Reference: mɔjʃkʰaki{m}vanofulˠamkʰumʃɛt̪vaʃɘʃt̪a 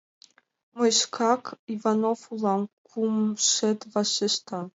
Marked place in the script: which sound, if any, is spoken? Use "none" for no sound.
none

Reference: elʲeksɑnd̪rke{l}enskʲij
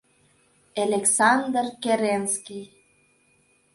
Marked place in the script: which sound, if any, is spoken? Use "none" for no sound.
ɾ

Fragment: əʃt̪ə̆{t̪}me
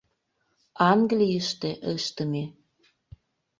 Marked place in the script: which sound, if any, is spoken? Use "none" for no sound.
none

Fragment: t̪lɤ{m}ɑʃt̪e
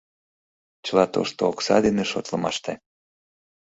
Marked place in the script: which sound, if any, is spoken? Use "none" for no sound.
m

